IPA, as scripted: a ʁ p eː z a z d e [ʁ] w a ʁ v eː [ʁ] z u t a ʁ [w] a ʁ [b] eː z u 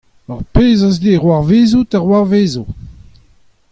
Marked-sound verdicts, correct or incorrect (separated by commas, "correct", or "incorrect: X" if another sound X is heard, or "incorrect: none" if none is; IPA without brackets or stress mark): correct, incorrect: none, correct, incorrect: v